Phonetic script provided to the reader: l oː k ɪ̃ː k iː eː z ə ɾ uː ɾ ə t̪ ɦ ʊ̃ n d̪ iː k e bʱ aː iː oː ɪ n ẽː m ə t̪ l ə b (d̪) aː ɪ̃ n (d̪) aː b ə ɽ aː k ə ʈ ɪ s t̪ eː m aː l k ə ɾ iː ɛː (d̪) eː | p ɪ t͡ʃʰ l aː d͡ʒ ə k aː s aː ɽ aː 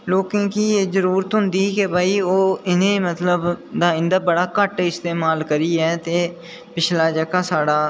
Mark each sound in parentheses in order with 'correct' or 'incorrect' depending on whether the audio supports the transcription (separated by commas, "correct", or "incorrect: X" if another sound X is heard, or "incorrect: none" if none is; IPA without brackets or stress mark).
correct, correct, incorrect: t̪